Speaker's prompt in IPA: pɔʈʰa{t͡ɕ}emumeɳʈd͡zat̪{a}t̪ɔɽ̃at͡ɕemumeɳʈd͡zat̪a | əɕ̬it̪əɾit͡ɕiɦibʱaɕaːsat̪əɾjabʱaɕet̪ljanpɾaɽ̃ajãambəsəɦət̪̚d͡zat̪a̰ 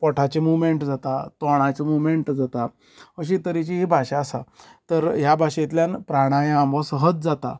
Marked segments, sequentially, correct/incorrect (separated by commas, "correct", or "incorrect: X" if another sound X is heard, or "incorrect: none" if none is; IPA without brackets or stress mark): correct, correct